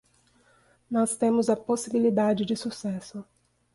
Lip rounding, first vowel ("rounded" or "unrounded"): rounded